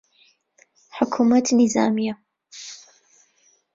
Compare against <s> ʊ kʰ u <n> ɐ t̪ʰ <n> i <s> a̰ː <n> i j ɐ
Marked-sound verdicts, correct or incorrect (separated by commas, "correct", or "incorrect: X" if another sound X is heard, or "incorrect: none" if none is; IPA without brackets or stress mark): incorrect: ħ, incorrect: m, correct, incorrect: z, incorrect: m